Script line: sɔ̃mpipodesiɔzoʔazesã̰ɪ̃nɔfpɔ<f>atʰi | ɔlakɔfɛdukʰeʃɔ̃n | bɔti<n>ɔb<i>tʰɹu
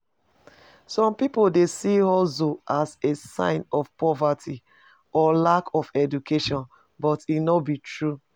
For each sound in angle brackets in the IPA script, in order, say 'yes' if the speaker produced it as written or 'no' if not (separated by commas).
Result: no, yes, yes